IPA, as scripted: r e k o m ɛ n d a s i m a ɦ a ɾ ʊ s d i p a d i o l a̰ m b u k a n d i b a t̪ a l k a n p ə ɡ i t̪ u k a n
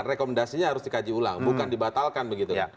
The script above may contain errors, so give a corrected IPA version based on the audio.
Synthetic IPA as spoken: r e k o m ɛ n d a s i ɲ a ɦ a ɾ ʊ s d i k a d͡ʒ i u l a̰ ŋ b u k a n d i b a t̪ a l k a n b ə ɡ i t̪ u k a n